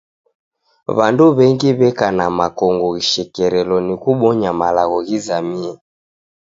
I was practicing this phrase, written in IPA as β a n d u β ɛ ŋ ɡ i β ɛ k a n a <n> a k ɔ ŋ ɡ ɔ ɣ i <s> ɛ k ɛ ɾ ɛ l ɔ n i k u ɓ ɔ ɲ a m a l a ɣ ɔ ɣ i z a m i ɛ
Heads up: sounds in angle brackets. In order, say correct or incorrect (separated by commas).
incorrect, incorrect